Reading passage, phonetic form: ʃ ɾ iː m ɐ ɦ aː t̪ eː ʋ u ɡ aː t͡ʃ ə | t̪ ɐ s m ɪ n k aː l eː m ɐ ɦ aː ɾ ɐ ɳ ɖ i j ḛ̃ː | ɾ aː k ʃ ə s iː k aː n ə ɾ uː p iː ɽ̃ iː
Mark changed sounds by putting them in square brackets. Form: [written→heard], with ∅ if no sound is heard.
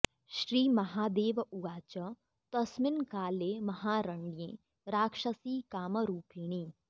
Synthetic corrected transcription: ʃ ɾ iː m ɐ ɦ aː [t̪→d̪] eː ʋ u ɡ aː t͡ʃ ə | t̪ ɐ s m ɪ n k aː l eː m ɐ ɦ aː ɾ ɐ ɳ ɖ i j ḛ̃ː | ɾ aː k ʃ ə s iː k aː [n→m] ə ɾ uː p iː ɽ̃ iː